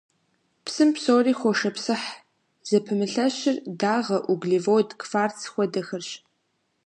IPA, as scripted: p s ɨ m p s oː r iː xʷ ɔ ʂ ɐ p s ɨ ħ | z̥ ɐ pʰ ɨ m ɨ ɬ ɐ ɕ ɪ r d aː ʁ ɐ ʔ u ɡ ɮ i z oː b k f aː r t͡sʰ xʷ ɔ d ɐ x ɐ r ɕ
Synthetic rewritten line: p s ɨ m p s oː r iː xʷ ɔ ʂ ɐ p s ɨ ħ | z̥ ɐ pʰ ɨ m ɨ ɬ ɐ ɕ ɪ r d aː ʁ ɐ ʔ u ɡ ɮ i v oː d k f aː r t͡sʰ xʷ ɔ d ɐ x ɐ r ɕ